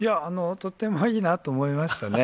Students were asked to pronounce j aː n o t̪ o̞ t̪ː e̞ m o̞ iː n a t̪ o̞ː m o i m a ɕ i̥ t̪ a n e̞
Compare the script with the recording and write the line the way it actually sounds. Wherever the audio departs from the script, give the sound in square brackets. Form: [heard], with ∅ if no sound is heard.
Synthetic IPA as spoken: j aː n o t̪ o̞ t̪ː e̞ m o̞ iː n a t̪ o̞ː m o i m a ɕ i̥ t̪ a n e̞